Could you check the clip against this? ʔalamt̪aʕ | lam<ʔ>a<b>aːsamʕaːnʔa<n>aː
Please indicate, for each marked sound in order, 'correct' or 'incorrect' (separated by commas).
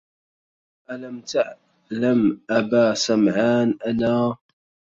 correct, correct, correct